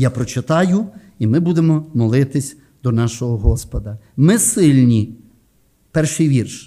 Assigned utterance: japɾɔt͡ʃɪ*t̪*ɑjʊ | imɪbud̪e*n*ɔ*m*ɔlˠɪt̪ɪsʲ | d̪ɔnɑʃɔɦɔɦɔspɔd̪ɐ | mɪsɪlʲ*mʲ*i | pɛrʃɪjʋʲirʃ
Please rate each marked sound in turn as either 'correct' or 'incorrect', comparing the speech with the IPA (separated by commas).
correct, incorrect, correct, incorrect